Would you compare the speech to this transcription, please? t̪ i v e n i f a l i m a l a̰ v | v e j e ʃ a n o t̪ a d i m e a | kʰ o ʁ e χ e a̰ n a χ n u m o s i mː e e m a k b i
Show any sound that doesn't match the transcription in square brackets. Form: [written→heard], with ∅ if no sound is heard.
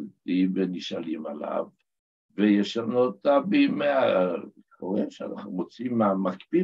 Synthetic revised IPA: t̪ i v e n i [f→ʃ] a l i m a l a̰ v | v e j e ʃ a n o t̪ a [d→b] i m e a | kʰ o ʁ e [χ→ʃ] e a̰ n a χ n u m o [s→t͡s] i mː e [e→a] m a k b i